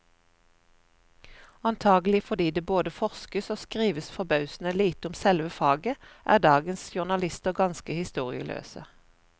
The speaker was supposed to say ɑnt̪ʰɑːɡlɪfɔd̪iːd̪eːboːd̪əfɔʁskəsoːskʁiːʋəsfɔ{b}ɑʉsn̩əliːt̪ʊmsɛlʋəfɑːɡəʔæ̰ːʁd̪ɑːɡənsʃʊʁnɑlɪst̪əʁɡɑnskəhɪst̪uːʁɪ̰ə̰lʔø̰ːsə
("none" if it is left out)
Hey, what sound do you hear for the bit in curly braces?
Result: b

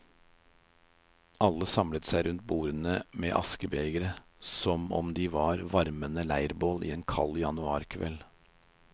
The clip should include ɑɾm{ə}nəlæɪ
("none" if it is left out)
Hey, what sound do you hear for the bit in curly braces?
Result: ə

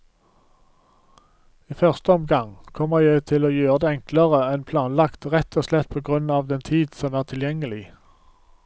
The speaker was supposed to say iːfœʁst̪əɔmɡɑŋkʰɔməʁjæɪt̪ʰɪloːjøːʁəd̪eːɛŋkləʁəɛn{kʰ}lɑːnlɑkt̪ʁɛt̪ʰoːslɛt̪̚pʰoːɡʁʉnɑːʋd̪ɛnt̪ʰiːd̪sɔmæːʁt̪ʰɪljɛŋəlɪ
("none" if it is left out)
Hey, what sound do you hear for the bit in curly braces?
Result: pʰ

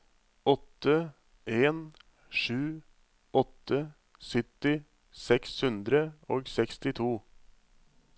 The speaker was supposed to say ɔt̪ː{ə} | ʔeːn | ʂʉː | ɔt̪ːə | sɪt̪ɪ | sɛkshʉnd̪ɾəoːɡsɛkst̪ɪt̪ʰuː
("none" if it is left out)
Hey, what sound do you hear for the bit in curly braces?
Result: ə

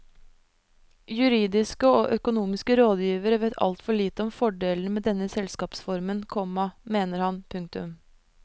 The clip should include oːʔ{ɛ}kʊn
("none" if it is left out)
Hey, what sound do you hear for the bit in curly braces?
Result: œ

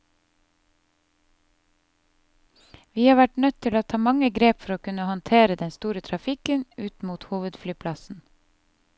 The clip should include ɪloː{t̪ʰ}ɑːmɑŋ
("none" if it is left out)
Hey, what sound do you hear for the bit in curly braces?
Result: t̪ʰ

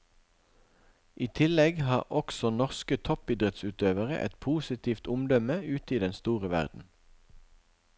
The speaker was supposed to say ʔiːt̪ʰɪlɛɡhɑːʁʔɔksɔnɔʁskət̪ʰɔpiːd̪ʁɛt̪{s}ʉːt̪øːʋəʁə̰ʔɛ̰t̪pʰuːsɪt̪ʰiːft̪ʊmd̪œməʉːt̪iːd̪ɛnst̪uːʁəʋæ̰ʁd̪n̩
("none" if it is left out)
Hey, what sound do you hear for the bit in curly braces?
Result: s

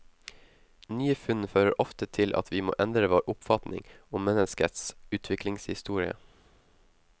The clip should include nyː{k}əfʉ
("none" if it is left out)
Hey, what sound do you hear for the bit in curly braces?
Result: none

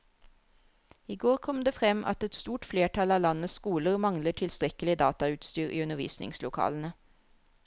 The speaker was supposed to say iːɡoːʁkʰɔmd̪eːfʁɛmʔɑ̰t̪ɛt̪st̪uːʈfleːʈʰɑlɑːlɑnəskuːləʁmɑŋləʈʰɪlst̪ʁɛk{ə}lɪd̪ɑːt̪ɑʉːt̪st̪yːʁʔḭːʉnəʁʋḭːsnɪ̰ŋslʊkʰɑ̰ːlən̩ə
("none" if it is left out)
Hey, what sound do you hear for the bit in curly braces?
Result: ə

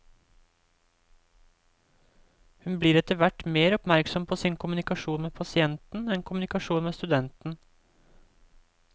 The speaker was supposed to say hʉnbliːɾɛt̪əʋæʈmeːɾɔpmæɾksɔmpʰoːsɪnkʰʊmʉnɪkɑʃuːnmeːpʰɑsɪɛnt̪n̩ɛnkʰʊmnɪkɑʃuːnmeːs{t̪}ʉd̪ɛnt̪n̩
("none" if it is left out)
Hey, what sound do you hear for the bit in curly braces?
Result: t̪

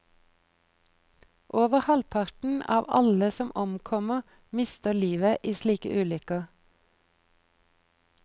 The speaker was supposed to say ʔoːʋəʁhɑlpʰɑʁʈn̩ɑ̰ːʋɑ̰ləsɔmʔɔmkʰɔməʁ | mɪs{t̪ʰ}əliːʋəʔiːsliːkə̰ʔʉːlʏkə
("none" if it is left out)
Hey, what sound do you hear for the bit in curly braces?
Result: t̪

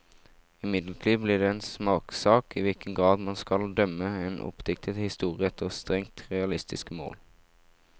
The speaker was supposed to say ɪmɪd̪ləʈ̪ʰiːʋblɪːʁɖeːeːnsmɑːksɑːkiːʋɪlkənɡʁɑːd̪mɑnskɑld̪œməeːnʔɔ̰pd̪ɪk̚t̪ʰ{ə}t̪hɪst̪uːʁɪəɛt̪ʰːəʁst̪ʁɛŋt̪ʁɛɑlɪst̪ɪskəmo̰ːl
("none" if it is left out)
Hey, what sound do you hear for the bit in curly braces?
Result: ə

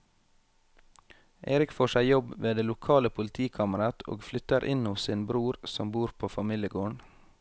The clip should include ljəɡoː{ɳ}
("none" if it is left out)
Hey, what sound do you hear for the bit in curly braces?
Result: ɳ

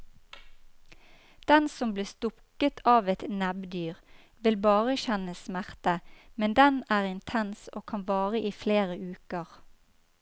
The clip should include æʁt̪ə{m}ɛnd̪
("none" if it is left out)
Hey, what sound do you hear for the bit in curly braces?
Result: m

